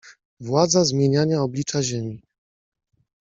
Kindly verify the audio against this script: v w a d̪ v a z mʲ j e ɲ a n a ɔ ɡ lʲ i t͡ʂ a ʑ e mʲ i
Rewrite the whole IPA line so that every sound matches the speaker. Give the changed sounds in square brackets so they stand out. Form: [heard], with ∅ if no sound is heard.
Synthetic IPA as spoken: v w a d̪ [z] a z mʲ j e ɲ a [ɲ] a ɔ [b] lʲ i t͡ʂ a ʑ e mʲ i